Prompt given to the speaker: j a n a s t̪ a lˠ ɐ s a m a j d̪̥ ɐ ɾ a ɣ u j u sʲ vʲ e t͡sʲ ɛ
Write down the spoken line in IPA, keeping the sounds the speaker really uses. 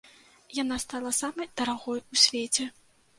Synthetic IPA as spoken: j a n a s t̪ a lˠ ɐ s a m ɐ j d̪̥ ɐ ɾ a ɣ ɔ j u sʲ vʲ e t͡sʲ ɛ